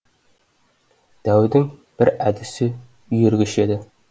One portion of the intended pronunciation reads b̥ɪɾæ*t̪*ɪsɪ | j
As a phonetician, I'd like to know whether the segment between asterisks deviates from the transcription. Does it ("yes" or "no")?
yes